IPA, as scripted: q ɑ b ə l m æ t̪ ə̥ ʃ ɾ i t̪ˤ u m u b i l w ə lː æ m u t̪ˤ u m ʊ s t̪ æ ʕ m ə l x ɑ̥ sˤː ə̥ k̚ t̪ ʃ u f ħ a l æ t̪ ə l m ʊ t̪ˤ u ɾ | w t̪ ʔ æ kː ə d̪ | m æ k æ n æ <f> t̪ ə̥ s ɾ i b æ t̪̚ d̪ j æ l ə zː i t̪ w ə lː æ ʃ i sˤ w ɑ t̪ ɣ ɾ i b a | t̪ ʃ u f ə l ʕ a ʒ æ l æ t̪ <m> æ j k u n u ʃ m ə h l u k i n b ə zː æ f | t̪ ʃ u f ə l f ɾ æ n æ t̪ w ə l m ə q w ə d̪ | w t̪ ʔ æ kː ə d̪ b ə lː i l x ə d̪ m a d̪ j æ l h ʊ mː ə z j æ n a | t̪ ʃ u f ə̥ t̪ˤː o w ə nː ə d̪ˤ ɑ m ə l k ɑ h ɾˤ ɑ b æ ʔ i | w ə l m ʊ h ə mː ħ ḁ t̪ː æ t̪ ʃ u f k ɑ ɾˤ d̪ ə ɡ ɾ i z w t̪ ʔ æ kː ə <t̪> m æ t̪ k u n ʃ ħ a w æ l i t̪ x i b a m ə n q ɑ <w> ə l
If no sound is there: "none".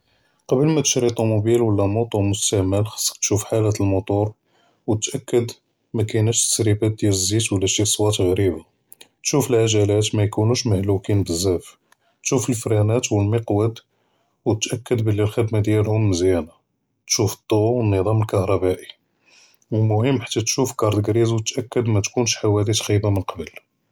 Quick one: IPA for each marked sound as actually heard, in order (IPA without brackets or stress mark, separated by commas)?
ʃ, m, d̪, b